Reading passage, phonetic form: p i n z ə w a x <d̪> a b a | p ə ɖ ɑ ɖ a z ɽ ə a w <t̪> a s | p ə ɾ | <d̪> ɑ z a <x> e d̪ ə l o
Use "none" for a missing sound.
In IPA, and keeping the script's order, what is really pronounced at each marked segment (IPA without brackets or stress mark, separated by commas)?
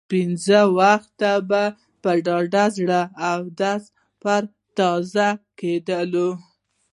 t̪, d̪, t̪, k